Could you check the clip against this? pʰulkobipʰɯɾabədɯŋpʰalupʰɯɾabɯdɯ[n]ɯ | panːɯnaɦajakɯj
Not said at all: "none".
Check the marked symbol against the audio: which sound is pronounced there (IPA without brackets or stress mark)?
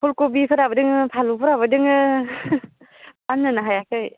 ŋ